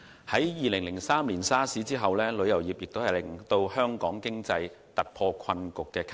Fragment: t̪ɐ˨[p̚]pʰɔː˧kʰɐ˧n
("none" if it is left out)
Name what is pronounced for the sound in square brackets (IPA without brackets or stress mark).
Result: t̚